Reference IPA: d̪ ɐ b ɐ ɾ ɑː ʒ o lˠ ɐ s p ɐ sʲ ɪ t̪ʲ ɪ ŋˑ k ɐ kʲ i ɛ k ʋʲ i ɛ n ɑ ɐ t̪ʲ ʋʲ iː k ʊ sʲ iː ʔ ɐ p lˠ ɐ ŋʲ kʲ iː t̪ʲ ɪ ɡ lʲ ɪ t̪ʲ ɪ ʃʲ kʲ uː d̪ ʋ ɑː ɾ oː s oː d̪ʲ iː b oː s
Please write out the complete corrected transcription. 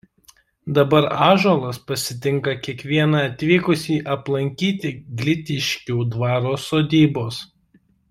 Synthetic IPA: d̪ ɐ b ɐ ɾ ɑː ʒ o lˠ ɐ s p ɐ sʲ ɪ t̪ʲ ɪ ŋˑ k ɐ kʲ i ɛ k ʋʲ i ɛ n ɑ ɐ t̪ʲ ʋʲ iː k ʊ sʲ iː ʔ ɐ p lˠ ɐ ŋʲ kʲ iː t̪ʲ ɪ ɡ lʲ ɪ t̪ʲ ɪ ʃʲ kʲ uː d̪ ʋ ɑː ɾ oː s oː d̪ʲ iː b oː s